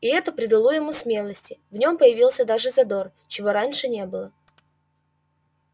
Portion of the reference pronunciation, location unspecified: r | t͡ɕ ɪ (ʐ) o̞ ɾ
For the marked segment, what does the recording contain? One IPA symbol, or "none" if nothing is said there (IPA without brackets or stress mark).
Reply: v